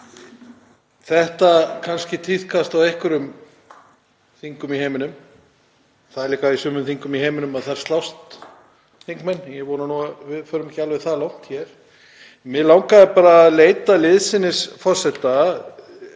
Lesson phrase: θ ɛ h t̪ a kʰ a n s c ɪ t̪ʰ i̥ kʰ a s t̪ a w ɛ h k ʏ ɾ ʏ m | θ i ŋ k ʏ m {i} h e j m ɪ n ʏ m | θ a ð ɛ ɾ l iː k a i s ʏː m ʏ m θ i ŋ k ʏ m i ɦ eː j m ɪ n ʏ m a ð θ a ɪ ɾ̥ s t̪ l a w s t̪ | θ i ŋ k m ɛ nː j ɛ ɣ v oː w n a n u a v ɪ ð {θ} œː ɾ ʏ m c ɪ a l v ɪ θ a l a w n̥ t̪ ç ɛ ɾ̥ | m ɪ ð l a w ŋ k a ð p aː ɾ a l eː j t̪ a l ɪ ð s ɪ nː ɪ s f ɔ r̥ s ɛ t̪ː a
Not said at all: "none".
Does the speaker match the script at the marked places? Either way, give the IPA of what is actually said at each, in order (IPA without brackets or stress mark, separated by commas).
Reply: i, f